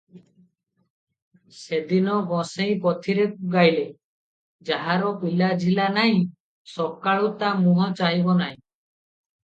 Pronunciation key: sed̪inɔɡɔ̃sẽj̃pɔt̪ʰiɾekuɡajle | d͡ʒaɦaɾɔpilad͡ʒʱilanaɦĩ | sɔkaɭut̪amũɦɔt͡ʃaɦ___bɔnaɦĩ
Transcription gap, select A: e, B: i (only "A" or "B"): B